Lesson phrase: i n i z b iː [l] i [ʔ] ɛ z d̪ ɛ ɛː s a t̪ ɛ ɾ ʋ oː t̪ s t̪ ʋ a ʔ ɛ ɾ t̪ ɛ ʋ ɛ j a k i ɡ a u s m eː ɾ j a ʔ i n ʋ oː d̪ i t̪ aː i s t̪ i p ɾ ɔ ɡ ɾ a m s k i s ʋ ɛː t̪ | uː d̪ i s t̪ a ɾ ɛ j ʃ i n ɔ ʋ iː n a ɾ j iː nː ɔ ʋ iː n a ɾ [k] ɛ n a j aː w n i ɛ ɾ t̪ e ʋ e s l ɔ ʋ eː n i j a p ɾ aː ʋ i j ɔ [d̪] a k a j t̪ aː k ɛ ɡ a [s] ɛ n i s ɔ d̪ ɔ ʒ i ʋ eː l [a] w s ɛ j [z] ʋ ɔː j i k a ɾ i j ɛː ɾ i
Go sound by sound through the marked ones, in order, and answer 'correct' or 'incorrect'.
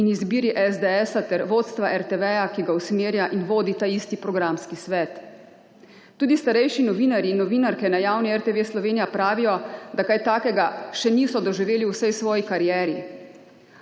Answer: incorrect, correct, correct, correct, incorrect, incorrect, incorrect

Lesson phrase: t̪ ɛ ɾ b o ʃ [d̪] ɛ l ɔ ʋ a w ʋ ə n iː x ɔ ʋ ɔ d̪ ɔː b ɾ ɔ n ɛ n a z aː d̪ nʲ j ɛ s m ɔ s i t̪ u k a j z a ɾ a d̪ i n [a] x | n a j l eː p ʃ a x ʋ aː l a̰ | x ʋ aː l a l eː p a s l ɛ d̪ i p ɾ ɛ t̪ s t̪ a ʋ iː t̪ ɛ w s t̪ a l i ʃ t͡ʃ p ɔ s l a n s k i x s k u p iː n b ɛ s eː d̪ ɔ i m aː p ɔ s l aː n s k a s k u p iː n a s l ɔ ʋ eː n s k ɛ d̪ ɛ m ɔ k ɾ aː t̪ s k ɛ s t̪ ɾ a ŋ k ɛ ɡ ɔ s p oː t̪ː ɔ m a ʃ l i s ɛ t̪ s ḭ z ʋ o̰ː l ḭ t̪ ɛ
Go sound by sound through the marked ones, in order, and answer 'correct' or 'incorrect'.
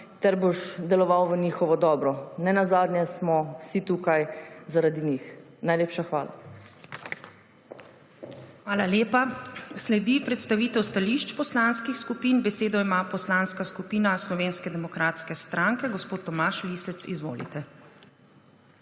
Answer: correct, incorrect

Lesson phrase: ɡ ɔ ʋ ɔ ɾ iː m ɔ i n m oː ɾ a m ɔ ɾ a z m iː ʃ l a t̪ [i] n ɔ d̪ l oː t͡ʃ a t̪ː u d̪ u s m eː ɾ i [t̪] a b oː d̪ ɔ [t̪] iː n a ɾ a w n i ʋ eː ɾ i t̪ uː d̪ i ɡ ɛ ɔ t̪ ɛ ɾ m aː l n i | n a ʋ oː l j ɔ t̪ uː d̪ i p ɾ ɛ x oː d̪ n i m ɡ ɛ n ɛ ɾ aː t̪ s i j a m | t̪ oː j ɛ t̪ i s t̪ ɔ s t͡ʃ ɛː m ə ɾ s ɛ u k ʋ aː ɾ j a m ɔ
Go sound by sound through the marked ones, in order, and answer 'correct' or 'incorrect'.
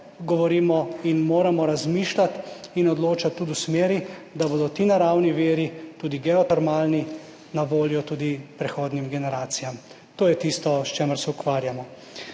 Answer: correct, incorrect, correct

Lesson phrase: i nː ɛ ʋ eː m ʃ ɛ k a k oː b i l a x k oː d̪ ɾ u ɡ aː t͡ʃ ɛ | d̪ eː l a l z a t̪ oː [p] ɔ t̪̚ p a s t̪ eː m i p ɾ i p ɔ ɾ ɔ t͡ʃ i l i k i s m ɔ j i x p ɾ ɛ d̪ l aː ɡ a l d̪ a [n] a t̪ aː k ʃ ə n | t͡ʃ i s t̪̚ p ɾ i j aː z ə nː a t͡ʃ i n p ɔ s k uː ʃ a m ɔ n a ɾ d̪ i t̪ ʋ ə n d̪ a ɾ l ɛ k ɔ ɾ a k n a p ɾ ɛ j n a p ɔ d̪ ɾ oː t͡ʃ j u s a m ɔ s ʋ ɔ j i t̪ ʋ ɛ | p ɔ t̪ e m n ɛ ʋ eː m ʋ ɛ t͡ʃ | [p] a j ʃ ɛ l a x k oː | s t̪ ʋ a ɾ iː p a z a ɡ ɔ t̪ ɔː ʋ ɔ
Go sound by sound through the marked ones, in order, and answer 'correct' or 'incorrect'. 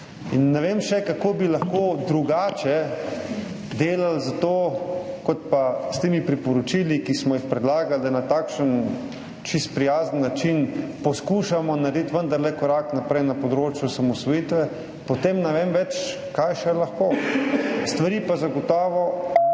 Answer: incorrect, correct, incorrect

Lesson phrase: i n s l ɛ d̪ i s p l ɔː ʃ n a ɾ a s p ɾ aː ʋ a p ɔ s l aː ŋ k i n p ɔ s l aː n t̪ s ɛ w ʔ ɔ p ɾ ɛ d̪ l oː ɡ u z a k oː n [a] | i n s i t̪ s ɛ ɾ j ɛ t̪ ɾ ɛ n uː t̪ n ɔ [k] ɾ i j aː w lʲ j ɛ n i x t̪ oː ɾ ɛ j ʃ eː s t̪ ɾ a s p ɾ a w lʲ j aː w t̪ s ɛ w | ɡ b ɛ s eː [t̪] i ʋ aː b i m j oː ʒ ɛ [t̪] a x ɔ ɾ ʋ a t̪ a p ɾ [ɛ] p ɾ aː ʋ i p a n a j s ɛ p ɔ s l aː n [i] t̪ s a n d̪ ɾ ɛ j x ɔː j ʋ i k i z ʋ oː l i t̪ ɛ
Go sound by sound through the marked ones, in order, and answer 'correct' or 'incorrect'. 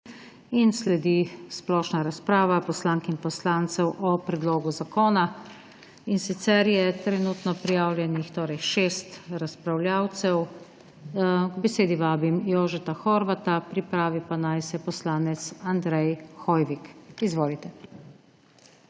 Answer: correct, incorrect, incorrect, correct, incorrect, incorrect

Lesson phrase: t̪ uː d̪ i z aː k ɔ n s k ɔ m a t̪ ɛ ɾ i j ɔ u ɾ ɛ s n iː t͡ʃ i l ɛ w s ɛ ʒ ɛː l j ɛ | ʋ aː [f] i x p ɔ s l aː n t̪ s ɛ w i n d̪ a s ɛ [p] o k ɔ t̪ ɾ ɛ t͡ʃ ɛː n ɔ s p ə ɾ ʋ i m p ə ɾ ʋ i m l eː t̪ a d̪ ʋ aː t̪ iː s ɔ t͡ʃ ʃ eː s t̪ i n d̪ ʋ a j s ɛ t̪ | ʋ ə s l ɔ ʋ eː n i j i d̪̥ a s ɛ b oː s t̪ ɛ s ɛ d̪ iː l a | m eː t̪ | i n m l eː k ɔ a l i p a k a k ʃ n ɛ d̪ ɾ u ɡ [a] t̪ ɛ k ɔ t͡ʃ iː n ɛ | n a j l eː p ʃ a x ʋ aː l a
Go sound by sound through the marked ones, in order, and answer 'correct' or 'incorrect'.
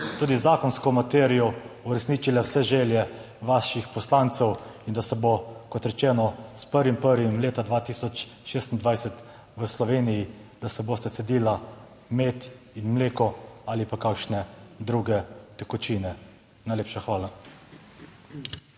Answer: incorrect, incorrect, incorrect

